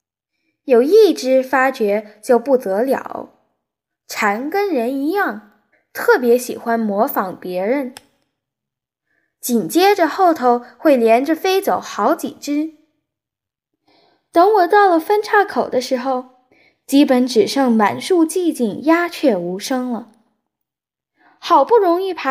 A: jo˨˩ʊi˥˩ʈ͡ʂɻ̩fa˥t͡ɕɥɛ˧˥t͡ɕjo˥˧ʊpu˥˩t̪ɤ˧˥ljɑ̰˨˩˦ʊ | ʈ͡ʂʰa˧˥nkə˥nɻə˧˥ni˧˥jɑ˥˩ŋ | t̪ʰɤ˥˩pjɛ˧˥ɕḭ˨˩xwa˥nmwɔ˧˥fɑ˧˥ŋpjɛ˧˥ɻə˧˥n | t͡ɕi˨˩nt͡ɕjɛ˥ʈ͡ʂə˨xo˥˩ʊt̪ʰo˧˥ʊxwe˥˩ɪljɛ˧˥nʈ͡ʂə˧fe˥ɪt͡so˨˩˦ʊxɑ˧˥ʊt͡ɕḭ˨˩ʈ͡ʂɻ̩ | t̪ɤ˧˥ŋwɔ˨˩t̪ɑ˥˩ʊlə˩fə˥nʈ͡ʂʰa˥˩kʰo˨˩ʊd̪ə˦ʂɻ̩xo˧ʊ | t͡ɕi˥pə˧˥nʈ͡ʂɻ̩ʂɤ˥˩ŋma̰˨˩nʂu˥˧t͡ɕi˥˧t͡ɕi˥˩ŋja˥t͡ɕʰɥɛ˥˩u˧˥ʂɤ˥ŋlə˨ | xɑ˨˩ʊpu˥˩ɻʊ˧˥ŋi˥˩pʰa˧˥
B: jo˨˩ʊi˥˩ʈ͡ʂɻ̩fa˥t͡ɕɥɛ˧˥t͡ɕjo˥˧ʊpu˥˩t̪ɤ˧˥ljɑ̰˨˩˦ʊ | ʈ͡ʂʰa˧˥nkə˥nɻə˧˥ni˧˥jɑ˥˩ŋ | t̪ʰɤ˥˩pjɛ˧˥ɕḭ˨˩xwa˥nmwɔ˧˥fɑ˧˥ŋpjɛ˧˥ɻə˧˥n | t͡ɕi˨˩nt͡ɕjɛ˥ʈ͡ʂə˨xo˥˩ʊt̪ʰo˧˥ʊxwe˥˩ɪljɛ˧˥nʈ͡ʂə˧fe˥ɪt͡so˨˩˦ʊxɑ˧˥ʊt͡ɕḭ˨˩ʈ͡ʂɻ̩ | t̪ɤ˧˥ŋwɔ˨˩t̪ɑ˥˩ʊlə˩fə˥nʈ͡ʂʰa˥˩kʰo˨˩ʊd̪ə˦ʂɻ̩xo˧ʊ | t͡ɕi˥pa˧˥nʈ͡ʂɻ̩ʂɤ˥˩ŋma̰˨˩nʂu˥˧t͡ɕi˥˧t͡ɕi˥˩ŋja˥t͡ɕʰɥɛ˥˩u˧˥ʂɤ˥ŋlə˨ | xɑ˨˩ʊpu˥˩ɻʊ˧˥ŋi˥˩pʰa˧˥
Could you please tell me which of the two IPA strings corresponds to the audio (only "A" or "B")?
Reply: A